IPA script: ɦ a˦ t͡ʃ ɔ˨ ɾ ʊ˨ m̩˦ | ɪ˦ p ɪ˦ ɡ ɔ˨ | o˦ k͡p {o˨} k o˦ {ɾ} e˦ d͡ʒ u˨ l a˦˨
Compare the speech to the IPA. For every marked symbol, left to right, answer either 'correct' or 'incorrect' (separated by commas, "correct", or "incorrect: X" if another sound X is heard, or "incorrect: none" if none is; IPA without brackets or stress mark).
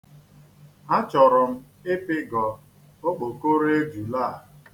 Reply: correct, correct